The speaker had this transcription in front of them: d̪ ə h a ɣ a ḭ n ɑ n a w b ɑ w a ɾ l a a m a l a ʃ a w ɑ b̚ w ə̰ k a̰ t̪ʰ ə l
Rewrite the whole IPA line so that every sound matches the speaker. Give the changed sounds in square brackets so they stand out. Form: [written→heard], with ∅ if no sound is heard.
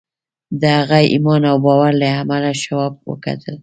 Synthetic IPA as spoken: d̪ ə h a ɣ a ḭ [n→m] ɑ n a w b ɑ w a ɾ l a a m a l a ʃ a w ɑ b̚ w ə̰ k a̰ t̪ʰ ə l